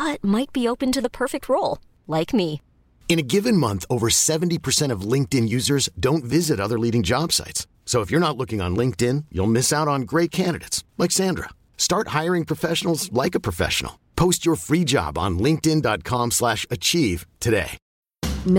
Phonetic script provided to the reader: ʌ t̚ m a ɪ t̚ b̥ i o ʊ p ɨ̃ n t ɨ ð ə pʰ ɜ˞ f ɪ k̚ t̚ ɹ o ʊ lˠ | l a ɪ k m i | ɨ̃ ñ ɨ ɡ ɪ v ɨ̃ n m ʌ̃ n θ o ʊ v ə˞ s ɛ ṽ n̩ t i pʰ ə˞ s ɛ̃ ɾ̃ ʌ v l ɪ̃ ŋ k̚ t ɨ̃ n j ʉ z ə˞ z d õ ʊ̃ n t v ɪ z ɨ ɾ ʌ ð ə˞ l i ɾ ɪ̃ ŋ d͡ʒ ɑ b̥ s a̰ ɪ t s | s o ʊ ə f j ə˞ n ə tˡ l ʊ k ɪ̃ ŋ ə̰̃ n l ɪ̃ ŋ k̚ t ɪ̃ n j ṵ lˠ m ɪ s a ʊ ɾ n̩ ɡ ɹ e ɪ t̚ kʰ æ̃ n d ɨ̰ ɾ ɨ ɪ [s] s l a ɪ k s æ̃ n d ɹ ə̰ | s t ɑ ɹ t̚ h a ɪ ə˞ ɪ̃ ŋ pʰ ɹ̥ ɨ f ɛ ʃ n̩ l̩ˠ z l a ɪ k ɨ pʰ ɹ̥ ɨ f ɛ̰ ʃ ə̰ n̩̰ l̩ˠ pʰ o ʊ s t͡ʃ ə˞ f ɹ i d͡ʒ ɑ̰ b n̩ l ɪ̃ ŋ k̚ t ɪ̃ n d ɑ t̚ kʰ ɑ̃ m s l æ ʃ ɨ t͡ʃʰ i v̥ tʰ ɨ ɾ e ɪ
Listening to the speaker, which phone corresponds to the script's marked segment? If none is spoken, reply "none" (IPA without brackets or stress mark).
t